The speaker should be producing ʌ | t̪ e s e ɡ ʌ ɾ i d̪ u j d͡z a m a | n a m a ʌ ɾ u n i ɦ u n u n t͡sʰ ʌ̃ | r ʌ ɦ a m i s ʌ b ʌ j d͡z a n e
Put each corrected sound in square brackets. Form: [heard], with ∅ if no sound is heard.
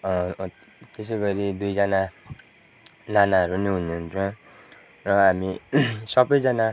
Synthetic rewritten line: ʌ | t̪ e s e ɡ ʌ ɾ i d̪ u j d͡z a [n] a | n a [n] a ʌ ɾ u n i ɦ u n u n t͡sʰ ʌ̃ | r ʌ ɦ a m i s ʌ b ʌ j d͡z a n [a]